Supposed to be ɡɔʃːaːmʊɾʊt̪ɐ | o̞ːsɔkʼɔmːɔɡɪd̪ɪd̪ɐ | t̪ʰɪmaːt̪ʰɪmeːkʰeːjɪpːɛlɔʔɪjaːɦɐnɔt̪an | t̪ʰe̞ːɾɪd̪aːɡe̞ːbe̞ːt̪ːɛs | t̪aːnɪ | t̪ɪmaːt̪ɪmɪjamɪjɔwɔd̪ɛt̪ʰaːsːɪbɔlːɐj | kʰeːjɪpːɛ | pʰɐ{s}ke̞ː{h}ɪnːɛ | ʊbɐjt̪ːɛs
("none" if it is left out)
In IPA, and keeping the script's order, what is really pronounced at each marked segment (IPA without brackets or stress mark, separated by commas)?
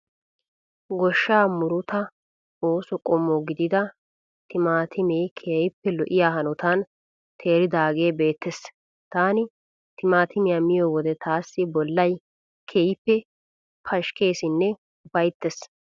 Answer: ʃ, s